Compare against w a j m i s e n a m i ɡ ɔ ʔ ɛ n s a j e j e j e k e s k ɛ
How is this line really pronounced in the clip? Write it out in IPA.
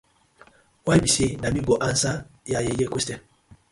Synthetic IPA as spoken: w a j b i s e n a m i ɡ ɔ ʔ a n s a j a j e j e k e s t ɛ

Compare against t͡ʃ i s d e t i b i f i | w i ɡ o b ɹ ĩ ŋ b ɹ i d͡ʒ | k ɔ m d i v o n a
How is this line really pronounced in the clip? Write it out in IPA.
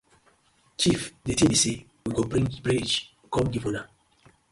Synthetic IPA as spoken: t͡ʃ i f d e t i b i s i | w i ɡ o b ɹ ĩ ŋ b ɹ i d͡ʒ | k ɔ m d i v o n a

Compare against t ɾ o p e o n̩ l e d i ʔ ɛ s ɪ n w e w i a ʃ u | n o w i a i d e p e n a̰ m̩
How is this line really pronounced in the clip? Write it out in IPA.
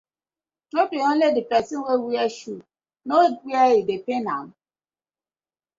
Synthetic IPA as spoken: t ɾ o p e o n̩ l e d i p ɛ s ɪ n w e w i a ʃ u | n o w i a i d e p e n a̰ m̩

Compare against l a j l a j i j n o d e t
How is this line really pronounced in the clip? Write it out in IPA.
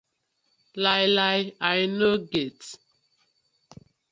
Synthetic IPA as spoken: l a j l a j a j n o ɡ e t

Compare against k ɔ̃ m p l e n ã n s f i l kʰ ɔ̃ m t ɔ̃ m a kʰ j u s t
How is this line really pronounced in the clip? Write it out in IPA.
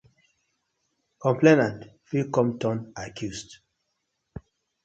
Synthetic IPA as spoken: k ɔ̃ m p l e n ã n t f i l k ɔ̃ m t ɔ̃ n a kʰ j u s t

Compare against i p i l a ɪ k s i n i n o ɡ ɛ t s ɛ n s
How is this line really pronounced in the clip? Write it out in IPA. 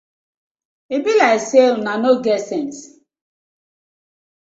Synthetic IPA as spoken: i b i l a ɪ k s e n a n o ɡ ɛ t s ɛ n s

